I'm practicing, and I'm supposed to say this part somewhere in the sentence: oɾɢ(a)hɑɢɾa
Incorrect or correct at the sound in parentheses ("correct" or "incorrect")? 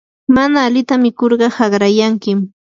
incorrect